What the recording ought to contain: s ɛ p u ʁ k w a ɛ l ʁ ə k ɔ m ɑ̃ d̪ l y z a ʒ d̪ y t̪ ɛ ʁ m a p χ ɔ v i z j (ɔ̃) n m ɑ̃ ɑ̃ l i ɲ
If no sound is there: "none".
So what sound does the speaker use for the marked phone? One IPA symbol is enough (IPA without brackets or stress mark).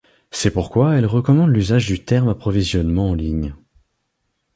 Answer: ɔ